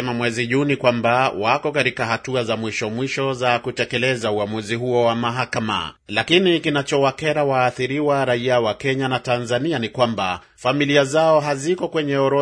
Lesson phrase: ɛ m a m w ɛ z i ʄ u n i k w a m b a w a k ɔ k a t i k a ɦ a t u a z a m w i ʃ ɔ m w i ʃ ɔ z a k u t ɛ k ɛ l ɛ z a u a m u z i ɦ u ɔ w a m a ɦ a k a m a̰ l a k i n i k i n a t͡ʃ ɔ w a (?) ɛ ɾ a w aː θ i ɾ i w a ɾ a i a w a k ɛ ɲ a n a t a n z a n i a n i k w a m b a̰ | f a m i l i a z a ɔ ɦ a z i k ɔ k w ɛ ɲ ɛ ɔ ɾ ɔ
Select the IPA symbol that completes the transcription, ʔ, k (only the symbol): k